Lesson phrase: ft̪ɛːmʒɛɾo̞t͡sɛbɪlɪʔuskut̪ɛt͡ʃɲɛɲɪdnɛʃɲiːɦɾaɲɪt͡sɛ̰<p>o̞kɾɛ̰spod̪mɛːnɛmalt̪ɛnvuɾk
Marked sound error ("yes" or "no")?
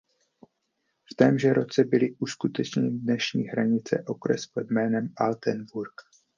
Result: yes